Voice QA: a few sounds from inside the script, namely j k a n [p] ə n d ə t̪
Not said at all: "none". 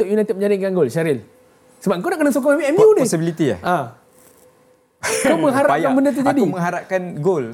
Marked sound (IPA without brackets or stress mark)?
b